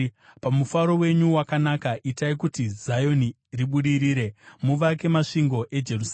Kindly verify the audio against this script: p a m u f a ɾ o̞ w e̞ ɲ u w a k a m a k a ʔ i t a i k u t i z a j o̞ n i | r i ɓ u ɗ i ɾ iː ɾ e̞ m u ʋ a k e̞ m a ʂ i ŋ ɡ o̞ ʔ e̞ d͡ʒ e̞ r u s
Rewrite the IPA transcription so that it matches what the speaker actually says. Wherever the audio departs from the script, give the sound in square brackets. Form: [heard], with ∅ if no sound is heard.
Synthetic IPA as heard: p a m u f a ɾ o̞ w e̞ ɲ u w a k a [n] a k a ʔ i t a i k u t i z a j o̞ n i | r i ɓ u ɗ i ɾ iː ɾ e̞ m u ʋ a k e̞ m a ʂ i ŋ ɡ o̞ ʔ e̞ d͡ʒ e̞ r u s